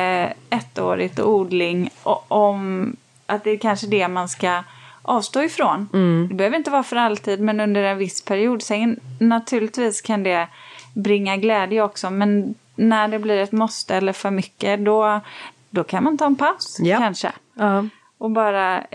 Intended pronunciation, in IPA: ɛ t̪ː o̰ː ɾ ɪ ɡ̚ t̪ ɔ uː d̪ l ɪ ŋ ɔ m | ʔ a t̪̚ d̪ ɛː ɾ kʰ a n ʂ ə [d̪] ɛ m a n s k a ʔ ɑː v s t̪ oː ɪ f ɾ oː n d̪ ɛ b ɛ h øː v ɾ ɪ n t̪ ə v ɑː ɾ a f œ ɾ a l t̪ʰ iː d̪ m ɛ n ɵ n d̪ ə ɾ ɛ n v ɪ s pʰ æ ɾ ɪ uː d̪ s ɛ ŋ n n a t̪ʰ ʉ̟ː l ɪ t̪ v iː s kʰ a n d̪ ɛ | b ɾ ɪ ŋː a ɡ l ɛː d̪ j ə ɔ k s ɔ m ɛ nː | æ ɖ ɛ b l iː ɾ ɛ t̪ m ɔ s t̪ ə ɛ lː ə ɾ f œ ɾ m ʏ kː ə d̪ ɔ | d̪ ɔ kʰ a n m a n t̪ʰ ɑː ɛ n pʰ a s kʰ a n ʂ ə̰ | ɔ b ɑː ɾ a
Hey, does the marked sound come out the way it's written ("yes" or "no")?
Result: yes